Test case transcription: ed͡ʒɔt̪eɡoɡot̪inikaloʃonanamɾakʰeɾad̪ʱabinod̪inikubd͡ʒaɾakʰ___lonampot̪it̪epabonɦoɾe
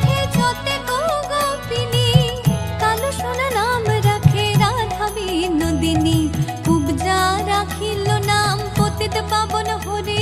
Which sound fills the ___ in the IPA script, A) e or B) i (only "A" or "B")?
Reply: B